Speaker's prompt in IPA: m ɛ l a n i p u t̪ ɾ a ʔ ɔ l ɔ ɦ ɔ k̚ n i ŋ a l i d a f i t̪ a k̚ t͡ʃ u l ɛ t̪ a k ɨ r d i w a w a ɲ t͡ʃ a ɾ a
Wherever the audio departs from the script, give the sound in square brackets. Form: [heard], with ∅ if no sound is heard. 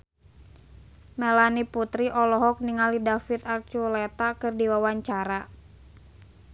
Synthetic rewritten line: m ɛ l a n i p u t̪ ɾ [i] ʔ ɔ l ɔ ɦ ɔ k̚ n i ŋ a l i d a f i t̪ a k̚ t͡ʃ u l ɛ t̪ a k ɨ r d i w a w a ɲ t͡ʃ a ɾ a